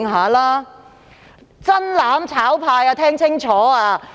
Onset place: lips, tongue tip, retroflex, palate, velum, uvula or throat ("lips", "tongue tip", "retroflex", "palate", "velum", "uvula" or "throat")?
velum